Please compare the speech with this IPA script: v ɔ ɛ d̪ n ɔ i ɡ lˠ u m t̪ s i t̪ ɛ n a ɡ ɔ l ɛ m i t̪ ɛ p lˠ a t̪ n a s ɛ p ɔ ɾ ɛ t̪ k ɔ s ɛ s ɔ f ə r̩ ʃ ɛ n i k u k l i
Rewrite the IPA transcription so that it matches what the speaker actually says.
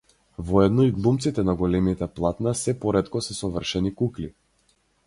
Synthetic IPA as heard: v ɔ ɛ d̪ n ɔ i ɡ lˠ u m t̪ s i t̪ ɛ n a ɡ ɔ l ɛ m i t̪ ɛ p lˠ a t̪ n a s ɛ p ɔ ɾ ɛ t̪ k ɔ s ɛ s ɔ v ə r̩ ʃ ɛ n i k u k l i